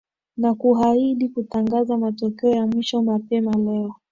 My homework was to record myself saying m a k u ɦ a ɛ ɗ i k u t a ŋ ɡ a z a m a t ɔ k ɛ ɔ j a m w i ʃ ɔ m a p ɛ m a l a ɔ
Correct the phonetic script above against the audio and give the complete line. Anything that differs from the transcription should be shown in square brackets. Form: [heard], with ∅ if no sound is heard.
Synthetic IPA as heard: [n] a k u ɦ a [i] ɗ i k u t a ŋ ɡ a z a m a t ɔ k ɛ ɔ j a m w i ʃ ɔ m a p ɛ m a l [ɛ] ɔ